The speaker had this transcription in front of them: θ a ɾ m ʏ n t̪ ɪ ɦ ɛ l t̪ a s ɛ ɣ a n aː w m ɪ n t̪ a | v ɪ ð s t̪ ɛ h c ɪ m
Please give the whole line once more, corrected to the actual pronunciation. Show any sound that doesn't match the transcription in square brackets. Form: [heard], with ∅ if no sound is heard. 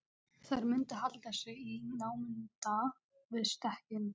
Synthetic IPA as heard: θ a ɾ m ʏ n t̪ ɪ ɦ [a] l t̪ a s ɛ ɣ [i] n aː w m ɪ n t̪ a | v ɪ ð s t̪ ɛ h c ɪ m